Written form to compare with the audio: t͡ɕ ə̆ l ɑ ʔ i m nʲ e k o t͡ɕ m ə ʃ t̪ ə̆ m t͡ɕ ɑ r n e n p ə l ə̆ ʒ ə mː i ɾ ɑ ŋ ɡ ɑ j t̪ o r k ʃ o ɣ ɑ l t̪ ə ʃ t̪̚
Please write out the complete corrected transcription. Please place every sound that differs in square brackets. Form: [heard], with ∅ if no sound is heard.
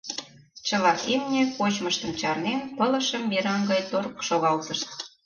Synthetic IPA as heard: t͡ɕ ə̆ l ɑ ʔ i m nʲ e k o t͡ɕ m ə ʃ t̪ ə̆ m t͡ɕ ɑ r n e n p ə l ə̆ [ʃ] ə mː i ɾ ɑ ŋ ɡ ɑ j t̪ o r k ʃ o ɣ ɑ l t̪ ə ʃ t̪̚